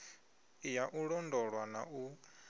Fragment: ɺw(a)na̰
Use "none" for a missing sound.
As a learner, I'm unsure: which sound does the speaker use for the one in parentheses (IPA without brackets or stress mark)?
a